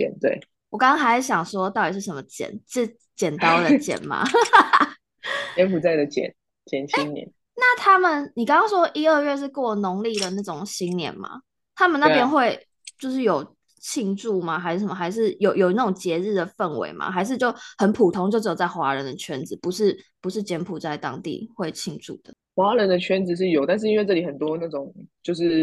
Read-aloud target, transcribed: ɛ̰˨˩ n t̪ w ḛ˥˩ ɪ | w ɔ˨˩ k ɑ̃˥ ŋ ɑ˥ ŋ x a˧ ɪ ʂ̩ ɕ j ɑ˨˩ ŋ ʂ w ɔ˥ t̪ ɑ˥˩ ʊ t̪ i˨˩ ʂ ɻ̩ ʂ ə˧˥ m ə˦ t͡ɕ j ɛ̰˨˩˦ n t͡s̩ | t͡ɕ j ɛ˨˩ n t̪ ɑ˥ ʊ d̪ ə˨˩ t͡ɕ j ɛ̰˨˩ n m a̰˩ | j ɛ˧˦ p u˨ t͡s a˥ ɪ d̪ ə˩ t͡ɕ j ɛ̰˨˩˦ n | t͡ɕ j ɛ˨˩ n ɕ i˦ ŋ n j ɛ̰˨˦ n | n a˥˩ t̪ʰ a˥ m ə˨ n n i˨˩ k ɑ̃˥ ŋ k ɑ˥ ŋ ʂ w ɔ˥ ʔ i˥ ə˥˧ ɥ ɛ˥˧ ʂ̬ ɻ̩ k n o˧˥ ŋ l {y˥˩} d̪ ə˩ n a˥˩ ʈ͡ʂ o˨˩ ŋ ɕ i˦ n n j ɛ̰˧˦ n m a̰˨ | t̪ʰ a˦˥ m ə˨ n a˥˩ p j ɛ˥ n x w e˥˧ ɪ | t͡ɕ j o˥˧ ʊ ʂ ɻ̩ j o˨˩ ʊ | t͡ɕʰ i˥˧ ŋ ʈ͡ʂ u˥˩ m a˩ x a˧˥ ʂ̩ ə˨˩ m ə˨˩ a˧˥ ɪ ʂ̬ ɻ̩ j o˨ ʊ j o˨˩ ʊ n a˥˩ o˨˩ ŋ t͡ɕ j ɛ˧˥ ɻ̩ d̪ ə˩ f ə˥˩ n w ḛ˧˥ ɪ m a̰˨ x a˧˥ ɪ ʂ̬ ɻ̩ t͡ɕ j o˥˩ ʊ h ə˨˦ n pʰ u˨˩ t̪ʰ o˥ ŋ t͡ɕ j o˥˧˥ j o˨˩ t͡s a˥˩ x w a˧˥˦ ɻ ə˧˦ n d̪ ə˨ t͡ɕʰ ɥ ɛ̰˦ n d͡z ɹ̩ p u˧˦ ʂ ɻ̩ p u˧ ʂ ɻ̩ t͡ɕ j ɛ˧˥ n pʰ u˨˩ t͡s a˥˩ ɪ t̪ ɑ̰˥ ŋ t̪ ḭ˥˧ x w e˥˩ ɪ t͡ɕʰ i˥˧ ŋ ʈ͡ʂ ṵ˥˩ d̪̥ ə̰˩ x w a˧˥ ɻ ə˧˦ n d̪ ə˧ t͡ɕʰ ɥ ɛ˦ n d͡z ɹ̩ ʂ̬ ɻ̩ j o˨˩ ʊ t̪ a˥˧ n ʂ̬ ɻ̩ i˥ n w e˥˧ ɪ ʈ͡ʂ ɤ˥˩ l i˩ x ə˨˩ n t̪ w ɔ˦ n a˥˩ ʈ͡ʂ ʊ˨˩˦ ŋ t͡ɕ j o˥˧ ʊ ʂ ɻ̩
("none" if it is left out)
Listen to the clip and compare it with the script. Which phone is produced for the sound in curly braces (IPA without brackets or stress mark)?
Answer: i˥˩